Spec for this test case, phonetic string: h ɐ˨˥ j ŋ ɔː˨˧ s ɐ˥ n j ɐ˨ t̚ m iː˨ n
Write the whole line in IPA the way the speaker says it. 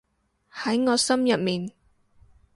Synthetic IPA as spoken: h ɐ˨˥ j ŋ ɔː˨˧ s ɐ˥ m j ɐ˨ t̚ m iː˨ n